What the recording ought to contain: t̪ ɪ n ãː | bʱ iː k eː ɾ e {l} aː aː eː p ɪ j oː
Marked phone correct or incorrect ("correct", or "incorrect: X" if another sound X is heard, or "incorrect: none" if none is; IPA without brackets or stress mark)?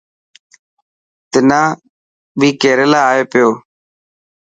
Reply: correct